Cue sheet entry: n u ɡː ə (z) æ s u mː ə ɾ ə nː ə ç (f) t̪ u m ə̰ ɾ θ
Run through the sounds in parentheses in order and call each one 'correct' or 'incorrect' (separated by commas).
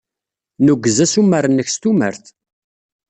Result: correct, incorrect